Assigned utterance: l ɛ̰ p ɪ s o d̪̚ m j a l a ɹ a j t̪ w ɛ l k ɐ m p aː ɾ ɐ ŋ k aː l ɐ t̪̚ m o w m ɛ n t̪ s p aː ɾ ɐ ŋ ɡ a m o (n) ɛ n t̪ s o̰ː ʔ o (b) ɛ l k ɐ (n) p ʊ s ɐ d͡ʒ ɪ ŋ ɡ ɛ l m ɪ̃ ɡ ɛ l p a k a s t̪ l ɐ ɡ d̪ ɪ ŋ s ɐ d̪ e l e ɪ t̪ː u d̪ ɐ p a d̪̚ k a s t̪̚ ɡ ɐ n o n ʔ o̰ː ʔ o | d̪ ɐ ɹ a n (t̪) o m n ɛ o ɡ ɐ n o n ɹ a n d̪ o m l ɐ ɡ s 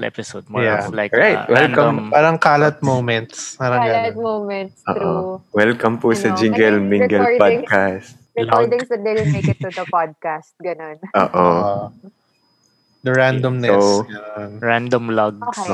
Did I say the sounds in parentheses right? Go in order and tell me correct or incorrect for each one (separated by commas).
incorrect, incorrect, incorrect, incorrect